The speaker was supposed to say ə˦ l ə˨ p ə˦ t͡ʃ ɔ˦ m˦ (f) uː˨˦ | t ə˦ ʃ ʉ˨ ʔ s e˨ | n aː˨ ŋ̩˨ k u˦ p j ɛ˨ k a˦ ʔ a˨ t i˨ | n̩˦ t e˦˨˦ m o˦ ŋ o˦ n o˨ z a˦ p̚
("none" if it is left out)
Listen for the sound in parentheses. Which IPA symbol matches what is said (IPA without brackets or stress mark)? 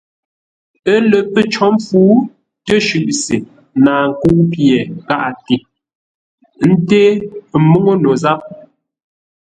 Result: f